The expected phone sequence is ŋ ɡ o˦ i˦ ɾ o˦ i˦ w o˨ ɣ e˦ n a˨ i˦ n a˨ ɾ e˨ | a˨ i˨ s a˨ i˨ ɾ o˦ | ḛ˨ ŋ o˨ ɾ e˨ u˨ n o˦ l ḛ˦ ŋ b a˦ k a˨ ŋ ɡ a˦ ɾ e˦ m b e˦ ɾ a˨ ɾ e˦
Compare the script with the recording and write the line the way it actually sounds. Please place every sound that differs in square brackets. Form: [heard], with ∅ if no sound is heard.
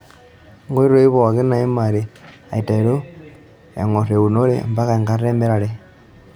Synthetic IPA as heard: ŋ ɡ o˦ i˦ ɾ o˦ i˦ [β] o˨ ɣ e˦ n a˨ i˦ [m] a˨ ɾ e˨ | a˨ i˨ [t] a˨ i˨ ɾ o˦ | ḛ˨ ŋ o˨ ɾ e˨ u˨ n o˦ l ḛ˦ [m] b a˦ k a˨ ŋ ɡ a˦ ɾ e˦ m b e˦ ɾ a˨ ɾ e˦

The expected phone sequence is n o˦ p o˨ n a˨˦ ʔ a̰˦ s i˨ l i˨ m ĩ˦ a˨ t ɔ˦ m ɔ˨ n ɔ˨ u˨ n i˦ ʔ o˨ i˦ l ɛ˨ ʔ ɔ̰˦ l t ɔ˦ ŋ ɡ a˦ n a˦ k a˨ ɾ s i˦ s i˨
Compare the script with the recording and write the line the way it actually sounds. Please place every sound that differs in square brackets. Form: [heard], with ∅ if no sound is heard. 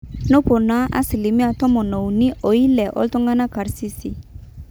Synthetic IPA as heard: n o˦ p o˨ n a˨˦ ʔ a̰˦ s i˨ l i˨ m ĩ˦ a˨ t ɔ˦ m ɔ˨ n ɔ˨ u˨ n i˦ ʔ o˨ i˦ l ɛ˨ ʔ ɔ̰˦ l t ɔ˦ ŋ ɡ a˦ n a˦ k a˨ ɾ s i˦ s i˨

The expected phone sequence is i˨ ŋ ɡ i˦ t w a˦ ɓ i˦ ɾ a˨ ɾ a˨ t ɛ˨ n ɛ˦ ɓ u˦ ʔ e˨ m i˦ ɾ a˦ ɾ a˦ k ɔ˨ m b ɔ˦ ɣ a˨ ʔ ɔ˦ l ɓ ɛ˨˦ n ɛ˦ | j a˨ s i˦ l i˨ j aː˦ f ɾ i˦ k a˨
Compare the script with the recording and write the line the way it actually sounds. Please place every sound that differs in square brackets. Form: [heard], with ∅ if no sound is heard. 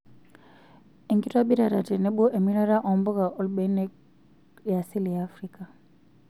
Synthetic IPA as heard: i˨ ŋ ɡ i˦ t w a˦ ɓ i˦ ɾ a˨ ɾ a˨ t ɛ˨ n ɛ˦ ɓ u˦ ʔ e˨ m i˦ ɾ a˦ ɾ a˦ [ʔ] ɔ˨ m b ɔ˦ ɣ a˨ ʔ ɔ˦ l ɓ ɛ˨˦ n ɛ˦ | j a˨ s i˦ l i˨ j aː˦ f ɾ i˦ k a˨

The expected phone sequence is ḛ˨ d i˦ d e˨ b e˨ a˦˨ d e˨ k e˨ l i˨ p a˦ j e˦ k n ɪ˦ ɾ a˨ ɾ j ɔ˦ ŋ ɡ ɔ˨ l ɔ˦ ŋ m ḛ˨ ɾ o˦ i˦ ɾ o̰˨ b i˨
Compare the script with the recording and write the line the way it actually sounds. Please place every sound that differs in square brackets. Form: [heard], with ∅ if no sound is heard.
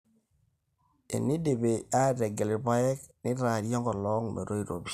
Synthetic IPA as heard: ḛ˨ [n] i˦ d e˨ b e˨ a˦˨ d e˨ [ɡ] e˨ l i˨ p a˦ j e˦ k n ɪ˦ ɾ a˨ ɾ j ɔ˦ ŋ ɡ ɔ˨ l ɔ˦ ŋ m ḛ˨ ɾ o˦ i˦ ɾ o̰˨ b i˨

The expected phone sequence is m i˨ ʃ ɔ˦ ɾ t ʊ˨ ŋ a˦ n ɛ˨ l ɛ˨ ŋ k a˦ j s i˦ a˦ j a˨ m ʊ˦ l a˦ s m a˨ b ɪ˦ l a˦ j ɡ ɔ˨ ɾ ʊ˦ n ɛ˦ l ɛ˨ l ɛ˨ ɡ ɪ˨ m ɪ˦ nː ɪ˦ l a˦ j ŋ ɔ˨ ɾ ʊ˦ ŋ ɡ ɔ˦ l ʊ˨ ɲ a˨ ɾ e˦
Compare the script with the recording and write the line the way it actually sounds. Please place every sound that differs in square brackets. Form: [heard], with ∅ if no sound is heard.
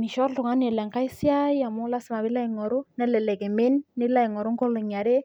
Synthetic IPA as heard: m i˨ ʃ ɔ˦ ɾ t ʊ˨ ŋ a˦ n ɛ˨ l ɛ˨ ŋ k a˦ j s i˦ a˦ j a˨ m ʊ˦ l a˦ s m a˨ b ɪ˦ l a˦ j [ŋ] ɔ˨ ɾ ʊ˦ n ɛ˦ l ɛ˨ l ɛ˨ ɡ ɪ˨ m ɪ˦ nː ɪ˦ l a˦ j ŋ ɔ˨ ɾ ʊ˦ ŋ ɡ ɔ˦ l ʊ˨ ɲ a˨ ɾ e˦

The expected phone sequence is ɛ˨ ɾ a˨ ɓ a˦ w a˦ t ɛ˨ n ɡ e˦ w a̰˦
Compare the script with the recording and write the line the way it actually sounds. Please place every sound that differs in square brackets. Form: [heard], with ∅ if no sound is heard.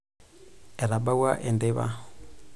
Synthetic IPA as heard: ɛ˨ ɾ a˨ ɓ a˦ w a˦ [ʔ] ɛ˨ n [d] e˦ [β] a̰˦

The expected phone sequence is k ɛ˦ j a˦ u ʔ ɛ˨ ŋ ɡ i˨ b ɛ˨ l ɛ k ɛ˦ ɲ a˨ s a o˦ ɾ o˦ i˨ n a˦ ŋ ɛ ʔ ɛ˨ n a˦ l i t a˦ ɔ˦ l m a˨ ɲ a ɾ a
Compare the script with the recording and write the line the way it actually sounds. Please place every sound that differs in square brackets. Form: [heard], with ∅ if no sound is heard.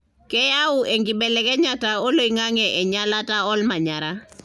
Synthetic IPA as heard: k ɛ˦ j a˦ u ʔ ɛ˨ ŋ ɡ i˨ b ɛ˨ l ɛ k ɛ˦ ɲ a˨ [t] a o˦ [l] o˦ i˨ [ŋ] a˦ ŋ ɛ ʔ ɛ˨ [ɲ] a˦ l [a] t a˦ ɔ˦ l m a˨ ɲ a ɾ a

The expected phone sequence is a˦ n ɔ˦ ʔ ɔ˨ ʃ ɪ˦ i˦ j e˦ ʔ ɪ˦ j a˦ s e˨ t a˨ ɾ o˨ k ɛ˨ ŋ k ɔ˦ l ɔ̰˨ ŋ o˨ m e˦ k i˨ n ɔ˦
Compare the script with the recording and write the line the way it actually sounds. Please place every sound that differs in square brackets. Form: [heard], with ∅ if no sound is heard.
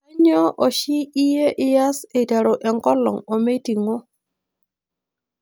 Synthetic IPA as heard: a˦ [ɲ] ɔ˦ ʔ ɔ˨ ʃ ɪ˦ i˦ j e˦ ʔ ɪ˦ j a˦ s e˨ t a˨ ɾ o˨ [ʔ] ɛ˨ ŋ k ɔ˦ l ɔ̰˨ ŋ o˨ m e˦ [t] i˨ [ŋ] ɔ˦

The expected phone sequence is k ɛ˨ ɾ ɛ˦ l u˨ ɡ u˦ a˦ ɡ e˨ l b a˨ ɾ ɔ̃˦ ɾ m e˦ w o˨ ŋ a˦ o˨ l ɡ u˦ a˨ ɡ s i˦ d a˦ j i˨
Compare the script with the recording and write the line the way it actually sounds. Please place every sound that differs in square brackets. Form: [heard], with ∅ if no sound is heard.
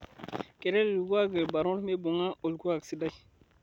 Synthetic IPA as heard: k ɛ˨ ɾ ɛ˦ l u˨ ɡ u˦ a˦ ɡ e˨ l b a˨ ɾ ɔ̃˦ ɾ m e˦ [b] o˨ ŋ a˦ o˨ l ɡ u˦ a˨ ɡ s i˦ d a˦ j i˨

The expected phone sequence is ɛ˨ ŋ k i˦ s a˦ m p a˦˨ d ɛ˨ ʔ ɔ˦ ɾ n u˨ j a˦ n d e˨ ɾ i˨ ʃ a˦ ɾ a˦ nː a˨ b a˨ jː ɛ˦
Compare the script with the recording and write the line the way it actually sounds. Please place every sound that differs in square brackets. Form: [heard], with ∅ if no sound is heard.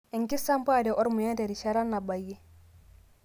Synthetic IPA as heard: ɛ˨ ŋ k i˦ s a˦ m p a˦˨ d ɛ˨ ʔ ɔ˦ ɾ [m] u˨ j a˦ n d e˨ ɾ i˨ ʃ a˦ ɾ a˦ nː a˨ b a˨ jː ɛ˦

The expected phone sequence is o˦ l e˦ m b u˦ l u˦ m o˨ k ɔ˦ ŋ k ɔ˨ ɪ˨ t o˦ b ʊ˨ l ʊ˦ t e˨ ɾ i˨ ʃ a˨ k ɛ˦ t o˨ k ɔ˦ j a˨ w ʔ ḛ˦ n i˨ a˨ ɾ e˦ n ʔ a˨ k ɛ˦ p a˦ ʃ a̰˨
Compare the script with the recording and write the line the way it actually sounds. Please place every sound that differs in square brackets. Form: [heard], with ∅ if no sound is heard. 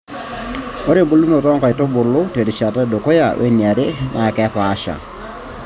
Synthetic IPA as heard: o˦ [ɾ] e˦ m b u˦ l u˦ [n] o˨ [t] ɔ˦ ŋ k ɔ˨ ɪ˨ t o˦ b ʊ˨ l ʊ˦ t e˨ ɾ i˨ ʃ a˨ [t] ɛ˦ [d] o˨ k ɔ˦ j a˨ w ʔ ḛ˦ n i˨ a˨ ɾ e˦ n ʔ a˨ k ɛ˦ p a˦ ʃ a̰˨

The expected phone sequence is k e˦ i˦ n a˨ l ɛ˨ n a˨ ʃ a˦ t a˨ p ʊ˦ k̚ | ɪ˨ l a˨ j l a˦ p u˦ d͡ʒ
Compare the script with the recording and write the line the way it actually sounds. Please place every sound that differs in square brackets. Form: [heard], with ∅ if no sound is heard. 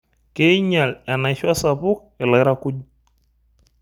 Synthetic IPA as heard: k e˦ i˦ [ɲ] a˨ l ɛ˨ n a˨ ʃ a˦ [s] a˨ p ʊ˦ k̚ | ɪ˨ l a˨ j [ɾ] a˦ [k] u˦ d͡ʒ

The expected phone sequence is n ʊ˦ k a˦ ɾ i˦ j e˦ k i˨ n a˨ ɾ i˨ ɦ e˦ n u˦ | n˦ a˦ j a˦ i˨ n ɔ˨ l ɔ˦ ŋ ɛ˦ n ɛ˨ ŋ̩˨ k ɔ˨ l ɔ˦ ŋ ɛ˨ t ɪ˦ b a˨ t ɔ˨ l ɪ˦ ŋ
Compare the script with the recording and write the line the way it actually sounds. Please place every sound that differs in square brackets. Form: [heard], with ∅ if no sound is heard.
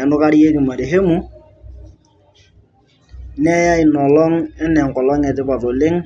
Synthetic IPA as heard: n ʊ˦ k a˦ ɾ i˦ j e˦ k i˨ [m] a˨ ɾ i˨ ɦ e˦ [m] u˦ | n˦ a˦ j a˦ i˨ n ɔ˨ l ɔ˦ ŋ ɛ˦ n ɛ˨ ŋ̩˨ k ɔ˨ l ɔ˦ ŋ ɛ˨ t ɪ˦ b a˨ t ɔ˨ l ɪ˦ ŋ

